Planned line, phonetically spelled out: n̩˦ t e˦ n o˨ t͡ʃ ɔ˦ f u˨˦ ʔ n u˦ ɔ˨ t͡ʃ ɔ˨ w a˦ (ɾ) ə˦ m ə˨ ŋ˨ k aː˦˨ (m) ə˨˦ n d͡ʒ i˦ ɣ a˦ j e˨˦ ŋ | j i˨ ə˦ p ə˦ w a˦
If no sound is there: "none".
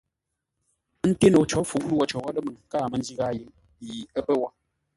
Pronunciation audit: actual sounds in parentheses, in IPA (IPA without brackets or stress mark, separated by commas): l, m